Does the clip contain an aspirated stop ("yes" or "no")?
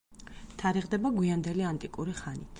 yes